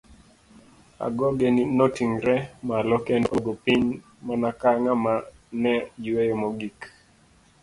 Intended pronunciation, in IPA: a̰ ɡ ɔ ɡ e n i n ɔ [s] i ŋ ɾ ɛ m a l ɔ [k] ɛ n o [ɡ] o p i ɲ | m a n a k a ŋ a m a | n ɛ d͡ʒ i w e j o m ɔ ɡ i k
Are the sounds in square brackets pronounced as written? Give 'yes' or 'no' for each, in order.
no, yes, yes

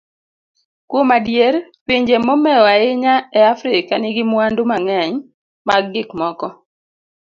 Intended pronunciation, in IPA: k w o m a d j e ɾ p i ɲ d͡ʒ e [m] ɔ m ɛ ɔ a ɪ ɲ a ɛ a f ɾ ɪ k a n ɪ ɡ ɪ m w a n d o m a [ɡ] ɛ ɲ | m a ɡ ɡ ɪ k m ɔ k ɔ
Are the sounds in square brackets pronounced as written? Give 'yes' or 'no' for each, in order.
yes, no

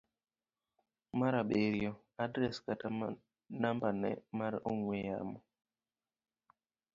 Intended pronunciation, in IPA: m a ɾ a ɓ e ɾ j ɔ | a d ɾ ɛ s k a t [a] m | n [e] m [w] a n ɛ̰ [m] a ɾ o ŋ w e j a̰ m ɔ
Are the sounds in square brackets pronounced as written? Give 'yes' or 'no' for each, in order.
yes, no, no, yes

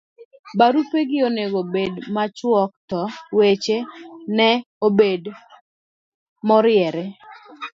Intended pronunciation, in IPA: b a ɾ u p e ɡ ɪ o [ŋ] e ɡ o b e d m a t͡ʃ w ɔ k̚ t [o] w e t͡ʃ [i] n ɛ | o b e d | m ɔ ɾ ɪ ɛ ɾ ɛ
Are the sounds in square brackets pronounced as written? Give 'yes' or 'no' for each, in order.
no, no, no

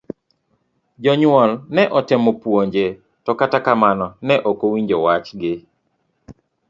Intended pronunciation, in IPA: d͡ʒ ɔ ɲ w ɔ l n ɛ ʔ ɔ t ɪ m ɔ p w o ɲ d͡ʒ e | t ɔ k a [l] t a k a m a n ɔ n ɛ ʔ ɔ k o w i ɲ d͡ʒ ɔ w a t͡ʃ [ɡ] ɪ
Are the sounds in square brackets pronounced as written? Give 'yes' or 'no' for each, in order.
no, yes

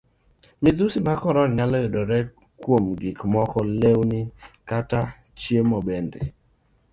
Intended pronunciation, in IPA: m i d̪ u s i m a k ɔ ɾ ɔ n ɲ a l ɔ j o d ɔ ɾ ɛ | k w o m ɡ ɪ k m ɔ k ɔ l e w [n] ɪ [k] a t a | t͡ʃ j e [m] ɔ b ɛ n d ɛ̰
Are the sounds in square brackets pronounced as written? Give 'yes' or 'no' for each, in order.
yes, yes, yes

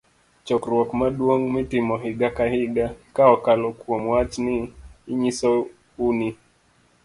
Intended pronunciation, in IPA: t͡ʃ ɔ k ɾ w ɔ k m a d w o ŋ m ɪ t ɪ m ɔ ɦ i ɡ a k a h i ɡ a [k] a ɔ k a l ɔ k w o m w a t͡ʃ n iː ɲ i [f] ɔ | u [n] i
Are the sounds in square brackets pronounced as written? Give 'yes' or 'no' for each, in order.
yes, no, yes

